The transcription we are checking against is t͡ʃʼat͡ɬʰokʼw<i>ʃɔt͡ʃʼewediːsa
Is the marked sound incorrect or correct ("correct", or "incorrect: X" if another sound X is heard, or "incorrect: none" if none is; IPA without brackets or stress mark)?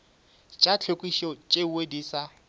correct